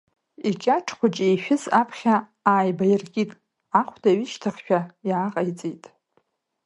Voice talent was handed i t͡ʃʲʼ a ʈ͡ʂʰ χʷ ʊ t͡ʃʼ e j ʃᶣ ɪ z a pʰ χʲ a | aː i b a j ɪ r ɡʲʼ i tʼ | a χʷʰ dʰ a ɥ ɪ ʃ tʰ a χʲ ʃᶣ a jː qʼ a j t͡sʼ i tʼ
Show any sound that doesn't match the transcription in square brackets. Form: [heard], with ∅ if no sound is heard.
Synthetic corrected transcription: i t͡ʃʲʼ a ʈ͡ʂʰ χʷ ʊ t͡ʃʼ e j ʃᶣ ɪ z a pʰ χʲ a | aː [j] b a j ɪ r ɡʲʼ i tʼ | a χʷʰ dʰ a ɥ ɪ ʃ tʰ a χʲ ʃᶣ a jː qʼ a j t͡sʼ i tʼ